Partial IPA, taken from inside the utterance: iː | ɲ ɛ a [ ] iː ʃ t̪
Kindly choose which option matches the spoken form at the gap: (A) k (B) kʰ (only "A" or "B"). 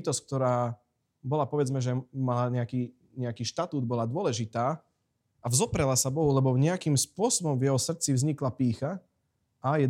A